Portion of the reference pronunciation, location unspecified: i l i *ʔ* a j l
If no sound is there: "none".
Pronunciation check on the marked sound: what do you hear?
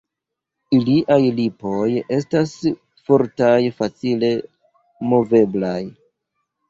ʔ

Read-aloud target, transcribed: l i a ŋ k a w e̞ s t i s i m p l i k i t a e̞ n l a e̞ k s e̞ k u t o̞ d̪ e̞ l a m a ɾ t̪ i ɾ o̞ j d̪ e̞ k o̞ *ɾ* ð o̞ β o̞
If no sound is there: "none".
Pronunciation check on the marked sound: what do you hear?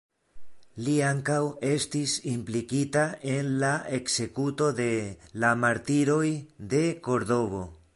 ɾ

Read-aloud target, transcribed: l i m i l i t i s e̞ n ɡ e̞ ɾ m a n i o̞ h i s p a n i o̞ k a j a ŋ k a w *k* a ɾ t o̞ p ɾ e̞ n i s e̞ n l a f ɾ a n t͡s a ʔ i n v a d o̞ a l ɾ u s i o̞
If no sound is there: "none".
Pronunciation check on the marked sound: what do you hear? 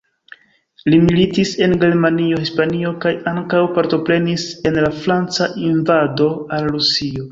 p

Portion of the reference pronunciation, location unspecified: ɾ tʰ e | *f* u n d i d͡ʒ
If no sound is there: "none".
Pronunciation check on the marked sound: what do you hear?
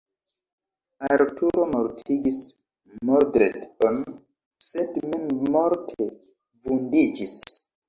v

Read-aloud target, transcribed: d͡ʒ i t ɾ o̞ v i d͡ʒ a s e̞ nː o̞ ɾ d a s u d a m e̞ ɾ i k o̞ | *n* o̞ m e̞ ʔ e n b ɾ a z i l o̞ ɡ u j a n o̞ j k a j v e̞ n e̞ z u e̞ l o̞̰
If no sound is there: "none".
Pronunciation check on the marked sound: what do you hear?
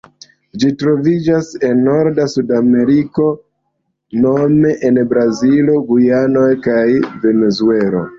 n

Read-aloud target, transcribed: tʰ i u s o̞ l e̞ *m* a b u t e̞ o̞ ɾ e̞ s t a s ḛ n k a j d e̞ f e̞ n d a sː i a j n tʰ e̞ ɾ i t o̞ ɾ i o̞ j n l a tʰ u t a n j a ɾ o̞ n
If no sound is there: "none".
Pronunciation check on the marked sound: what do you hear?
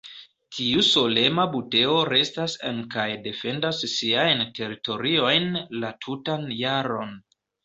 m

